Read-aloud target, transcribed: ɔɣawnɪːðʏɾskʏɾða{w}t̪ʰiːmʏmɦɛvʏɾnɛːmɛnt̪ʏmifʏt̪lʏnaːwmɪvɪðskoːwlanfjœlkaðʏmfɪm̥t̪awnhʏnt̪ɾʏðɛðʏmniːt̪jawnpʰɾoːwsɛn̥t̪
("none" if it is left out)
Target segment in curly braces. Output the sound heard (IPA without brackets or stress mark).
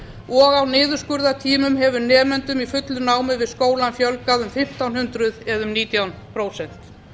none